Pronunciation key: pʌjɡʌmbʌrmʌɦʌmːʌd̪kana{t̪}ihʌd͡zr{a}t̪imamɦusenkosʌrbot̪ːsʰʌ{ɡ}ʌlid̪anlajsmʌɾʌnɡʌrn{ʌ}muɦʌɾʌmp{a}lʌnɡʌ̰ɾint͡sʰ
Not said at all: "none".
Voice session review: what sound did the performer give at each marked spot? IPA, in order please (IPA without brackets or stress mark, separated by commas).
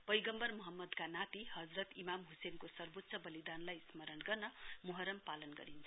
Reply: t̪, ʌ, b, ʌ, a